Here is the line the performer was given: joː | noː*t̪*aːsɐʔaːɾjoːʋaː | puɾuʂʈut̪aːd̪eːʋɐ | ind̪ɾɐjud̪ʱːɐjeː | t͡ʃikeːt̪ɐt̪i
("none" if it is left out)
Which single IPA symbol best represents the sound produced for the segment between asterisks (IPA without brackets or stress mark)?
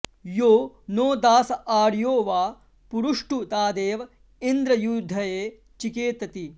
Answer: d̪